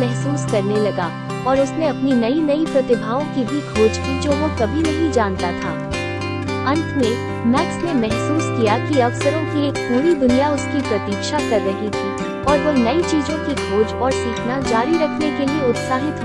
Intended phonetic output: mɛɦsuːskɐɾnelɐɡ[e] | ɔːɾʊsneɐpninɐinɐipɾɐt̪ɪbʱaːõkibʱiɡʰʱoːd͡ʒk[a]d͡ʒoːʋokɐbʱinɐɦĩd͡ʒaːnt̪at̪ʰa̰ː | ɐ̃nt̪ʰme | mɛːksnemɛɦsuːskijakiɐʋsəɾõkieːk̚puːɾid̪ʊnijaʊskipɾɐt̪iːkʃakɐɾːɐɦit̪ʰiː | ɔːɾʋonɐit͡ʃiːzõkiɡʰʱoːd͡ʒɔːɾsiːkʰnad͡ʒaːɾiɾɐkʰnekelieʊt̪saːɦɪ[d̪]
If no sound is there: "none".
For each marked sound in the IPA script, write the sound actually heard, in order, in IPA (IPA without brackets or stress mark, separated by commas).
a, i, t̪